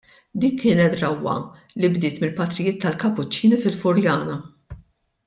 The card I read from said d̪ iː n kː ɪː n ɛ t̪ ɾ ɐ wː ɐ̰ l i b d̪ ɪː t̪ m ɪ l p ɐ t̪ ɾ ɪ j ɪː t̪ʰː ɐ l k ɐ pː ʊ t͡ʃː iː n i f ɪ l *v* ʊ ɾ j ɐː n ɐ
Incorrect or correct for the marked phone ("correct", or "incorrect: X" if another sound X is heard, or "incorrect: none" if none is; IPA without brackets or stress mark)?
incorrect: f